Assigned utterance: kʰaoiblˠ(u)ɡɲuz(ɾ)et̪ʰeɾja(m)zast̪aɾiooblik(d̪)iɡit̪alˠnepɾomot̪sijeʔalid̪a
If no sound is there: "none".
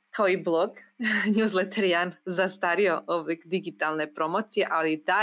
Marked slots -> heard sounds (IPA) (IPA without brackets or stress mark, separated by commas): o, l, n, d̪